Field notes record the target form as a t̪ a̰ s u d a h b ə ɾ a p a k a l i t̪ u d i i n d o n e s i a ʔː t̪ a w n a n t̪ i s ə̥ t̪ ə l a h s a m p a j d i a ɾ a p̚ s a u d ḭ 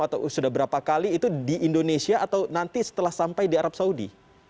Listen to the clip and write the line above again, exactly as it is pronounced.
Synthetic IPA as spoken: a t̪ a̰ s u d a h b ə ɾ a p a k a l iː t̪ u d i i n d o n e s i a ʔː t̪ a w n a n t̪ i s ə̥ t̪ ə l a h s a m p a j d i a ɾ a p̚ s a u d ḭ